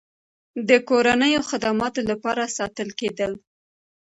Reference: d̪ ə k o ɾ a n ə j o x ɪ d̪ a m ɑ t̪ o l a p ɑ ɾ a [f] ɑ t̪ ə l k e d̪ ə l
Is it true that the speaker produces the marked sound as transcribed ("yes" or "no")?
no